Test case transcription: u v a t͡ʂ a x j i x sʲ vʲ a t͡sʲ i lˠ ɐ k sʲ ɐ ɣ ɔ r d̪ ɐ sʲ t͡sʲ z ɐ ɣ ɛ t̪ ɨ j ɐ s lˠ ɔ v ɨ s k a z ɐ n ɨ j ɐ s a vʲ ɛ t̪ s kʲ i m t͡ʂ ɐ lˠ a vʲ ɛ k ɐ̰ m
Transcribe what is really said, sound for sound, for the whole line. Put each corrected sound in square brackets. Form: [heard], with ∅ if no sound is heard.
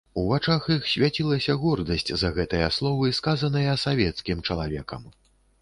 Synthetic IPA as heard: u v a t͡ʂ a x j i x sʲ vʲ a t͡sʲ i lˠ ɐ [∅] sʲ ɐ ɣ ɔ r d̪ ɐ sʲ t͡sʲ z ɐ ɣ ɛ t̪ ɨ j ɐ s lˠ ɔ v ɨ s k a z ɐ n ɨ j ɐ s a vʲ ɛ t̪ s kʲ i m t͡ʂ ɐ lˠ a vʲ ɛ k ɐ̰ m